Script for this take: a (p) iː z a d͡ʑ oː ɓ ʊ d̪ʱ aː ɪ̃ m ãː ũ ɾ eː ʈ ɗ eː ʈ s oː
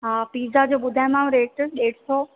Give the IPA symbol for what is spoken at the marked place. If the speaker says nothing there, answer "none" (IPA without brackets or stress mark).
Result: p